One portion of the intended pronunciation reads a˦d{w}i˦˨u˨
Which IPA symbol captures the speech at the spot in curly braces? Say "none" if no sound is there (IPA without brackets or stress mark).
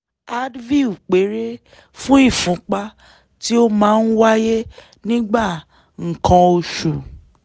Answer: v